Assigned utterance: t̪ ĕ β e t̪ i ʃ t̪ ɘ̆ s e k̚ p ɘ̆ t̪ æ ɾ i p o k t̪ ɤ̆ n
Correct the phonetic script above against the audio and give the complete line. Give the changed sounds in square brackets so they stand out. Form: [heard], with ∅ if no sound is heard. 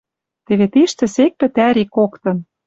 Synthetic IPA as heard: t̪ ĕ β e t̪ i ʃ t̪ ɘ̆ s e k̚ p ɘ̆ t̪ æ ɾ i [k] o k t̪ ɤ̆ n